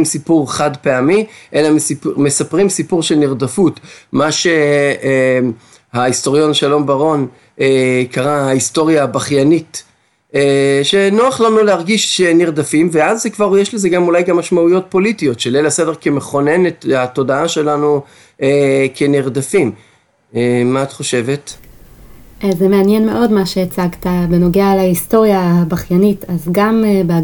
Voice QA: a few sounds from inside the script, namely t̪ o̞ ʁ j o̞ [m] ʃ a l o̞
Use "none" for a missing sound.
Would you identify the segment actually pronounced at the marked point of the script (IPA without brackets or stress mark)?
n